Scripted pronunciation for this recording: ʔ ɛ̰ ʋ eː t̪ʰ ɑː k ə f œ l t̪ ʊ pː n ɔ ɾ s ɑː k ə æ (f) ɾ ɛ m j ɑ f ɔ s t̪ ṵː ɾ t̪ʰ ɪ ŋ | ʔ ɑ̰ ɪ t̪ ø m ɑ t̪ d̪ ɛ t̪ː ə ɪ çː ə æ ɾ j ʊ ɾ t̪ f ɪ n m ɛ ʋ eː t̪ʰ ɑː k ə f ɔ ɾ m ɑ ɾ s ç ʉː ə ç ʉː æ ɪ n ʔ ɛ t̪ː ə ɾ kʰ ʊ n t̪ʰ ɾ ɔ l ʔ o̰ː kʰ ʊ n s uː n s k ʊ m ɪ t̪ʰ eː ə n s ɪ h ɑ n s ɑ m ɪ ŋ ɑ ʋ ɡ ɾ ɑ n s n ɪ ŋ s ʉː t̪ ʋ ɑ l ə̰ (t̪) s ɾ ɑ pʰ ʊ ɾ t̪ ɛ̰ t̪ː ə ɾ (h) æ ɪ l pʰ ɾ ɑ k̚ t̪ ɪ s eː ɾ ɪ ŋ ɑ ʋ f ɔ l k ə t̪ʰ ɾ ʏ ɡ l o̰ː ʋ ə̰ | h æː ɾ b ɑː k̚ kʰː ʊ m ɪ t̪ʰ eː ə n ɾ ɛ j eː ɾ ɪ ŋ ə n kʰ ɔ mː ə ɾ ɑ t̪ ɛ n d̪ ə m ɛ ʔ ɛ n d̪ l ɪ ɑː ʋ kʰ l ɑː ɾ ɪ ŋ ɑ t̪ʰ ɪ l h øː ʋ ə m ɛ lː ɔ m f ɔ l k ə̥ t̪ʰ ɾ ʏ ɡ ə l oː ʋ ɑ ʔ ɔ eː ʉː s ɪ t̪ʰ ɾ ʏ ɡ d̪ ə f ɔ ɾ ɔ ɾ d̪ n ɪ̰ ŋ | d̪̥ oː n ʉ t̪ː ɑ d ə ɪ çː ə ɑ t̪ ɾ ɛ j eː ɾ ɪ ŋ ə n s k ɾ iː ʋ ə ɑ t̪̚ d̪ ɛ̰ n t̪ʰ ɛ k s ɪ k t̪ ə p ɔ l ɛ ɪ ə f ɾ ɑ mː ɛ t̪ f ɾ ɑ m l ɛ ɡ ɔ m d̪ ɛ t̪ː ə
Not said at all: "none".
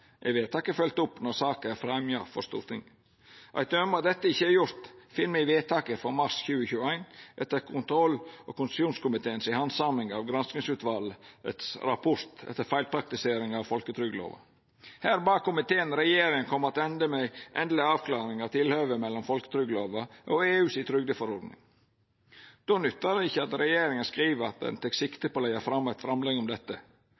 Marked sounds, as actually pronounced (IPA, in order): f, t̪, f

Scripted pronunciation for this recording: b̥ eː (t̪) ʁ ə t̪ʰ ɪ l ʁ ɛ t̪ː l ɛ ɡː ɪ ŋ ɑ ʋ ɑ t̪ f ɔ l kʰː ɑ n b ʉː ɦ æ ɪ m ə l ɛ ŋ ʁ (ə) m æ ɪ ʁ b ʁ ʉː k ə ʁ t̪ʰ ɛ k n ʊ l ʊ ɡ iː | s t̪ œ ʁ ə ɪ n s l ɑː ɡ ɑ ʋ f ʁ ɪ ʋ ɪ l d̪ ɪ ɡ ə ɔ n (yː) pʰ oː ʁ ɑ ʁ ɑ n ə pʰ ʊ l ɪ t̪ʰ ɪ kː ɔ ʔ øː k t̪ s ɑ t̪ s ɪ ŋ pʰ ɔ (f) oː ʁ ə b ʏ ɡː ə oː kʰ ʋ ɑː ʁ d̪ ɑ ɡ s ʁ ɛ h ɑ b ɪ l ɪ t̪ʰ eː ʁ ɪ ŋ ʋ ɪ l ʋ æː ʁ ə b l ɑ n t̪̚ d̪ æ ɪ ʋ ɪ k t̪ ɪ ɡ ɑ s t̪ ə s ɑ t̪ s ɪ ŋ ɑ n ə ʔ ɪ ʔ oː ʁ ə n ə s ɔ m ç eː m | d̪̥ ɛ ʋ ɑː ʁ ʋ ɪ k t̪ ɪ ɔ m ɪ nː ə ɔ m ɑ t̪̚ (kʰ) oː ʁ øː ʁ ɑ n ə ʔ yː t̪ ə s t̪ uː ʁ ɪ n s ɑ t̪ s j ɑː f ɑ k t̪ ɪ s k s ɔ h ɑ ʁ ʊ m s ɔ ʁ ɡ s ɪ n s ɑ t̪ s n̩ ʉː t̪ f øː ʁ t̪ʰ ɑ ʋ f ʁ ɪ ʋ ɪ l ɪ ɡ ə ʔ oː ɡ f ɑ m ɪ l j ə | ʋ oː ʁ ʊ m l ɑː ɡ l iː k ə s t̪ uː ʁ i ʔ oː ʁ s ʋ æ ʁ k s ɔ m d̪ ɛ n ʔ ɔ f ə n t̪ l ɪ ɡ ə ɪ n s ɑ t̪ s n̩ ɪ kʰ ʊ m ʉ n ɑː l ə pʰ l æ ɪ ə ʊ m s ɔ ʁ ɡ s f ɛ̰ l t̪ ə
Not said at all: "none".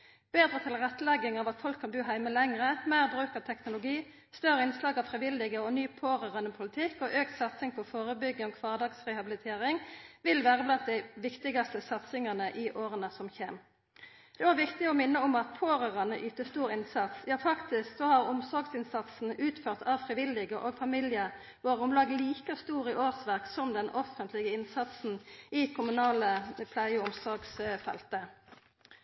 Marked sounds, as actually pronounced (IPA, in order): d̪, ə, yː, f, pʰ

